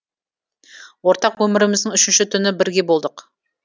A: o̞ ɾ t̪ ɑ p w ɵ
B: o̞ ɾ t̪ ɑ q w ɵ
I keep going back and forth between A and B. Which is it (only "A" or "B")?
B